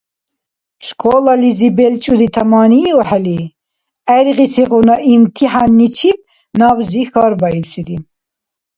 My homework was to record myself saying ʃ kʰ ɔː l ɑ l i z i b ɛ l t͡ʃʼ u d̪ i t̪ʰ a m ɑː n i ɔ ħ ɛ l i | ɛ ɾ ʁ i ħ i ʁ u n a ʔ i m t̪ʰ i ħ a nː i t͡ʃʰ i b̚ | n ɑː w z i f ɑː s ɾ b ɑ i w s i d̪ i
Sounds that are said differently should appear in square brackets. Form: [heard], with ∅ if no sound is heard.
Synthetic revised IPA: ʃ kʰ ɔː l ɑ l i z i b ɛ l t͡ʃʼ u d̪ i t̪ʰ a m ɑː n i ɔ ħ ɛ l i | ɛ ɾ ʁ i [s] i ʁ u n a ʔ i m t̪ʰ i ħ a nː i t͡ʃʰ i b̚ | n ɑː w z i [x] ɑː [∅] ɾ b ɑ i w s i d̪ i